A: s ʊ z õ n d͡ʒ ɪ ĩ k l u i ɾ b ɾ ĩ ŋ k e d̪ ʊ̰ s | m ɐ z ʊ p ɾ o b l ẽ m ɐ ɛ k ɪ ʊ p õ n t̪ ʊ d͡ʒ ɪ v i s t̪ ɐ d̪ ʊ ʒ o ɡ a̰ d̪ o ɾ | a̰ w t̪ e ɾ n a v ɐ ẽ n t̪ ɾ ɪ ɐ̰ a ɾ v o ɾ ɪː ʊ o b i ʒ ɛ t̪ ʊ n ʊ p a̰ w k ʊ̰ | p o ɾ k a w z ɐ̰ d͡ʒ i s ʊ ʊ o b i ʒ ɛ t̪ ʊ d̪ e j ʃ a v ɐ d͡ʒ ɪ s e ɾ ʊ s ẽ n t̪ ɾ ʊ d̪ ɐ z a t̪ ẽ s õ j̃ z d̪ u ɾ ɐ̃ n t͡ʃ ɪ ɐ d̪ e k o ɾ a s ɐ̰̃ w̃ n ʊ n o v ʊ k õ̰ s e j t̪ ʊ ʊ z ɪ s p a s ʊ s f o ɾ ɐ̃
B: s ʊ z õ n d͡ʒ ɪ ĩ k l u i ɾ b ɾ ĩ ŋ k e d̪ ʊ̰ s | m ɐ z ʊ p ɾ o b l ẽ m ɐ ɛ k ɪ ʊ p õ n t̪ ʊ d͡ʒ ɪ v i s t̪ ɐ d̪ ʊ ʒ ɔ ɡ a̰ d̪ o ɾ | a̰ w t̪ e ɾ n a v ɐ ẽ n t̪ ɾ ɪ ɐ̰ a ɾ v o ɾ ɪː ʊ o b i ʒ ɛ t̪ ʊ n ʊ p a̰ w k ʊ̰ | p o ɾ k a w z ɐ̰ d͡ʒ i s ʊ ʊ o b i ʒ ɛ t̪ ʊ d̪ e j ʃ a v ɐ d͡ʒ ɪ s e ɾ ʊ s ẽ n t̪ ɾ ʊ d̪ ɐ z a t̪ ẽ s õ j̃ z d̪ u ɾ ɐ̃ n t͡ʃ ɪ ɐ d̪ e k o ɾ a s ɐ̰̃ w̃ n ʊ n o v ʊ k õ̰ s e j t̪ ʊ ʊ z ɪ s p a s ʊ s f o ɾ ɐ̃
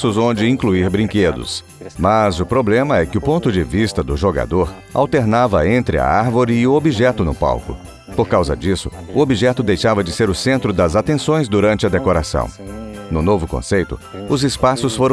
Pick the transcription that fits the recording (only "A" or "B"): A